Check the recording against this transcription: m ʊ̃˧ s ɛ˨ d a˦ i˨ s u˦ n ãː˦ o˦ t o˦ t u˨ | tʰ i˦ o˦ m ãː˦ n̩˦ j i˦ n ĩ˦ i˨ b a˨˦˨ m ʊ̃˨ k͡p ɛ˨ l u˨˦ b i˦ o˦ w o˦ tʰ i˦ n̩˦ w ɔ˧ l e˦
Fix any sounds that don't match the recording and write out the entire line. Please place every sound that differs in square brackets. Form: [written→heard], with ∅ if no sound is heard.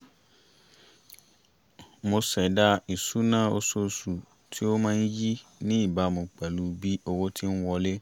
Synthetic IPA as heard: m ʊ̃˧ s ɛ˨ d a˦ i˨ s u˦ n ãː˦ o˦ [t→s] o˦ [t→s] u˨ | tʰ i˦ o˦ m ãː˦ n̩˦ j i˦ n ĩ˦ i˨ b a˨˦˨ m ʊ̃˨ k͡p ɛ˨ l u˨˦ b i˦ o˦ w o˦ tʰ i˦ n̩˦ w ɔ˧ l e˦